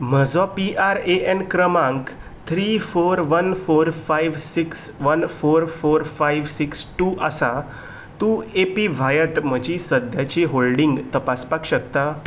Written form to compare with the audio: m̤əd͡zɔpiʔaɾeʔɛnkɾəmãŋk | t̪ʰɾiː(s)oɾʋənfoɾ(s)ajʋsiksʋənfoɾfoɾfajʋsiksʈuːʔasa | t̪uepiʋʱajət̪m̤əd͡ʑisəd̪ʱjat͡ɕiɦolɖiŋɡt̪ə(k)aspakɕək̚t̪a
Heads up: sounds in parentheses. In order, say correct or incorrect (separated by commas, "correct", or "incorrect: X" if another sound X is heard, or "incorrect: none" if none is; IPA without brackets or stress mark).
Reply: incorrect: f, incorrect: f, incorrect: p